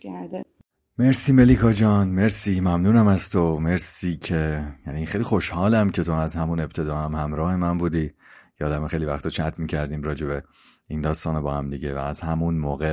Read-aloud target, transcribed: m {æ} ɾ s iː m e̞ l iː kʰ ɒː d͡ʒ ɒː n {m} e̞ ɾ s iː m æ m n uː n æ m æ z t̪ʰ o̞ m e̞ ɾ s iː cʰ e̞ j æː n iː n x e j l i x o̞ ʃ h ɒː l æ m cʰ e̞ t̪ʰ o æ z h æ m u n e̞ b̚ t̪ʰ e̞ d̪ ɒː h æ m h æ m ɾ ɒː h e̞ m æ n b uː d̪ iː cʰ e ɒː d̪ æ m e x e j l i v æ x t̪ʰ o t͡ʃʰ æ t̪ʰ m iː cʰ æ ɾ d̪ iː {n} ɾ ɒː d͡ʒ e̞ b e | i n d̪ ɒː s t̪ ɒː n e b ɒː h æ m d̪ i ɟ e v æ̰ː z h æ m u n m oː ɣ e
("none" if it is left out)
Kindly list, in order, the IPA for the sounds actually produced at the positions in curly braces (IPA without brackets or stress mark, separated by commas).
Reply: e, m, m